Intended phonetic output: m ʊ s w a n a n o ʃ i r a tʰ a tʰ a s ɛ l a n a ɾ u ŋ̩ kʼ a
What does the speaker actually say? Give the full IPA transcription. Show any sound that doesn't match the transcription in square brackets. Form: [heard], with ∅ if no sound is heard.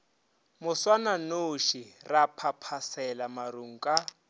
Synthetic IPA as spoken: m ʊ s w a n a n o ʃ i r a [pʰ] a [pʰ] a s ɛ l a [m] a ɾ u ŋ̩ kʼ a